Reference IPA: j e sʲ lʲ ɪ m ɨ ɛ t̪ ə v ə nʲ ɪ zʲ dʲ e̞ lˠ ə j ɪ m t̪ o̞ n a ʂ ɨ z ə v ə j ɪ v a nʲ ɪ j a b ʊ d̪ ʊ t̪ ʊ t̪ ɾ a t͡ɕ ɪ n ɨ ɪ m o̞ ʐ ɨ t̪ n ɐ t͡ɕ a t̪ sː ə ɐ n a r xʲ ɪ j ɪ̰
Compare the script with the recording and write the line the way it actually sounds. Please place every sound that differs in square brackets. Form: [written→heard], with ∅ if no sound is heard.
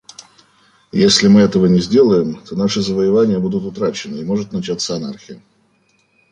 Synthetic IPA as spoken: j e sʲ lʲ ɪ m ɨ ɛ t̪ ə v ə nʲ ɪ zʲ dʲ e̞ lˠ ə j ɪ m t̪ o̞ n a ʂ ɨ z ə v ə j ɪ v a nʲ ɪ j [a→ə] b [ʊ→u] d̪ ʊ t̪ ʊ t̪ ɾ a t͡ɕ ɪ n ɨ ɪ m o̞ ʐ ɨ t̪ n ɐ t͡ɕ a t̪ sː ə ɐ n a r xʲ ɪ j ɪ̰